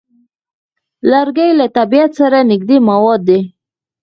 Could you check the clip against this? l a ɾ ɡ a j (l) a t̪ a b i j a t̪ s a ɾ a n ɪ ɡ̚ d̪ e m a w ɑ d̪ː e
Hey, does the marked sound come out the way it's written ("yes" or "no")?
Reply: yes